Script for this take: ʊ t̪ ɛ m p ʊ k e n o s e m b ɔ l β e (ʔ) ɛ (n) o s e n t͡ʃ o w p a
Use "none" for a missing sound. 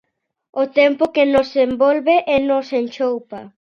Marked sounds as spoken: ʔ, n

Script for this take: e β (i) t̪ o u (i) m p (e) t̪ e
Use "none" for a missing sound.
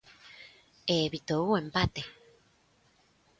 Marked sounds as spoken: i, e, a

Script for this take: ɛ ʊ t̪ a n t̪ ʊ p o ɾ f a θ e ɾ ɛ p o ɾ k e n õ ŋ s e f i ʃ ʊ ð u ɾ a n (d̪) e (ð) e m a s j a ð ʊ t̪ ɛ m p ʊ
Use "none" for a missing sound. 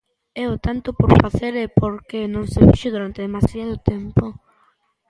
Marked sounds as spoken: t̪, ð

